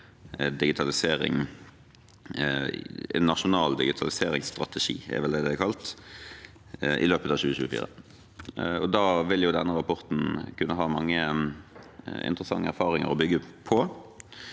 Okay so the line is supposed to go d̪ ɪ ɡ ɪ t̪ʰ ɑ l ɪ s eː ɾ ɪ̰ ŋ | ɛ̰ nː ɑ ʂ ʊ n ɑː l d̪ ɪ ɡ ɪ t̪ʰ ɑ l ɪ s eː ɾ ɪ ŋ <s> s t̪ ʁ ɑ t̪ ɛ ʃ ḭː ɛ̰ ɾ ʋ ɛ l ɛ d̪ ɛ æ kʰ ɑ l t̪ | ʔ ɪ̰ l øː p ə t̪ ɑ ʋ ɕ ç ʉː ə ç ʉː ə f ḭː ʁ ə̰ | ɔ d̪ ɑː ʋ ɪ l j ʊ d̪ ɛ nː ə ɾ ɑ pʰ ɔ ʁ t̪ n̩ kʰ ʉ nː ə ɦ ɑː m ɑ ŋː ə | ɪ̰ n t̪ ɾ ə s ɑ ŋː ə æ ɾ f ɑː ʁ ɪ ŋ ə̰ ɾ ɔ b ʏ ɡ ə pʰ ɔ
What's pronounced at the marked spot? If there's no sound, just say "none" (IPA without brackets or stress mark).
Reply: s